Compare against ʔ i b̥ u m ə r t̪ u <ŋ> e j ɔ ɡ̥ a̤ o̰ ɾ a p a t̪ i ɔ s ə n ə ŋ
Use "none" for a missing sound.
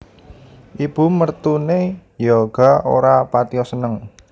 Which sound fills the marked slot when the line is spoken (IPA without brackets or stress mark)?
n